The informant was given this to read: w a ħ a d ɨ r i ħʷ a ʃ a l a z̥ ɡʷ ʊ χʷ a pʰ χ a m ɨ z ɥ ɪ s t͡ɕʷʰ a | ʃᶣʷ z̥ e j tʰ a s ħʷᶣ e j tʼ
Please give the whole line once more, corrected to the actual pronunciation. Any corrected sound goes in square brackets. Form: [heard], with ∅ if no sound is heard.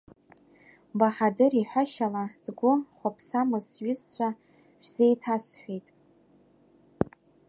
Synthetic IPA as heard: [b] a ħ a d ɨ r i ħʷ a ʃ a l a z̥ ɡʷ ʊ χʷ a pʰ [s] a m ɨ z ɥ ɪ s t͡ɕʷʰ a | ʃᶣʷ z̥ e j tʰ a s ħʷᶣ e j tʼ